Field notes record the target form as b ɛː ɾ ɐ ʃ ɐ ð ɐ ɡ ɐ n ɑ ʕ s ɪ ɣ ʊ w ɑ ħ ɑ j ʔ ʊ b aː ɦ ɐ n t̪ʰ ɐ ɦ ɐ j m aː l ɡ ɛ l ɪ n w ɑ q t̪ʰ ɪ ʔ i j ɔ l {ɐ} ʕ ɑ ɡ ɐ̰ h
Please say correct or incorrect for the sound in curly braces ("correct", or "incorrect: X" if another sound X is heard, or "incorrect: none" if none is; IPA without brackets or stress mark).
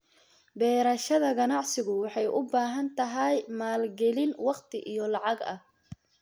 incorrect: ɑ